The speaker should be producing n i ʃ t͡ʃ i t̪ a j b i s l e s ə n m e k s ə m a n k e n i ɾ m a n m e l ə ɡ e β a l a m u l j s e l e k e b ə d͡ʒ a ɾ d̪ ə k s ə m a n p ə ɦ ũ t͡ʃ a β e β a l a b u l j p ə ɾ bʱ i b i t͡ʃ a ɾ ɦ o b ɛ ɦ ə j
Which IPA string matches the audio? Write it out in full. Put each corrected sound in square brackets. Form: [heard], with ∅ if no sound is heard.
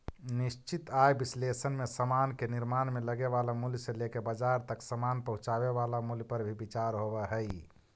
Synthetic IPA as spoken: n i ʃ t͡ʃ i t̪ a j b i s l e s ə n m e [∅] s ə m a n k e n i ɾ m a n m e l ə ɡ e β a l a m u l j s e l e k e b ə d͡ʒ a ɾ [t̪] ə k s ə m a n p ə ɦ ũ t͡ʃ a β e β a l a [m] u l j p ə ɾ bʱ i b i t͡ʃ a ɾ ɦ o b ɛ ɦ ə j